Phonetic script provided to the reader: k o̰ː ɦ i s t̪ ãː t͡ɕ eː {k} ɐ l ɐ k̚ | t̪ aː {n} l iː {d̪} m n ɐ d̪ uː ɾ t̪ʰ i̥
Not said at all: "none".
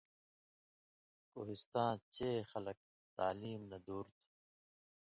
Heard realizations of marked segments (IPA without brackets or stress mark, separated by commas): x, none, none